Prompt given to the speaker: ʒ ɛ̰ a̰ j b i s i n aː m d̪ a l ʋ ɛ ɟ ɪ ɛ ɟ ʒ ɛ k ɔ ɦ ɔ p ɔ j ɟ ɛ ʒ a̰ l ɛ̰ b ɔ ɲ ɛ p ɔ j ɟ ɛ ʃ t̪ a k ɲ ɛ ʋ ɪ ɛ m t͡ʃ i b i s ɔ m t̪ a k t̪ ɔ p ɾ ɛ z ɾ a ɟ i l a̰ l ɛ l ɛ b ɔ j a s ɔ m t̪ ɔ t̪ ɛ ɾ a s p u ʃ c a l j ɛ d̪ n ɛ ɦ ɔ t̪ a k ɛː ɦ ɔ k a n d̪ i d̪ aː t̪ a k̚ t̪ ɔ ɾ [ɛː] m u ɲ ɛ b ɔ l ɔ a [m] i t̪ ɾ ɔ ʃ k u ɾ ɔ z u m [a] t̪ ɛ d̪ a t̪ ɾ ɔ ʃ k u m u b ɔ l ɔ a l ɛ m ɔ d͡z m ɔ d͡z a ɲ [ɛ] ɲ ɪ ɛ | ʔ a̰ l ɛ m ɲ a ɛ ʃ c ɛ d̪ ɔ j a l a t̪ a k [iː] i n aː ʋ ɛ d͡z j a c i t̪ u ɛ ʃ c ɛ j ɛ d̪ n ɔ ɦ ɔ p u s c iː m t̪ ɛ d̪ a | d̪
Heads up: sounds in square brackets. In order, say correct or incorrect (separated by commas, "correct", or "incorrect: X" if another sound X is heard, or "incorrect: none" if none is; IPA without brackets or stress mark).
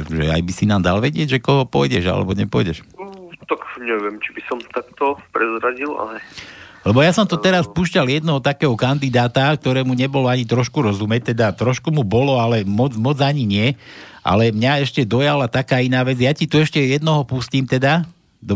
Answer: correct, incorrect: ɲ, incorrect: ɛ, incorrect: i, incorrect: aː